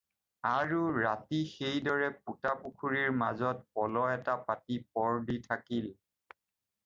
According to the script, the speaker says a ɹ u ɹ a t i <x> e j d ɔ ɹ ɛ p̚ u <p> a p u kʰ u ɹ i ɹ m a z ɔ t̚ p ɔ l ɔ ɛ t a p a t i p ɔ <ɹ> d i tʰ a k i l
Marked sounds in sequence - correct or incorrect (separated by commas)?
correct, incorrect, correct